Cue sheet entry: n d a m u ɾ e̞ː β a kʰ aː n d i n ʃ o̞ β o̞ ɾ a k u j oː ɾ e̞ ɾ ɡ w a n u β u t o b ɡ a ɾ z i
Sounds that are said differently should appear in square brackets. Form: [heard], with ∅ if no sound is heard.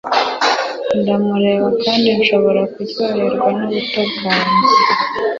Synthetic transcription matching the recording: n d a m u ɾ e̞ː β a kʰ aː n d i n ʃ o̞ β o̞ ɾ a k u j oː ɾ e̞ ɾ ɡ w a n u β u t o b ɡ a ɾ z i